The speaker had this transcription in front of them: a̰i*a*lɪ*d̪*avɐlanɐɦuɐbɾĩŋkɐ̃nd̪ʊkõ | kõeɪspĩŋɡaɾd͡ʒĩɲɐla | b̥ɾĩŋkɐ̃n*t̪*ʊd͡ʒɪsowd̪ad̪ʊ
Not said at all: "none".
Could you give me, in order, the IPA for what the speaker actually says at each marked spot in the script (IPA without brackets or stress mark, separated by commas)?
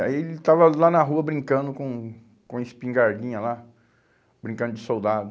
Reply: e, t̪, d̪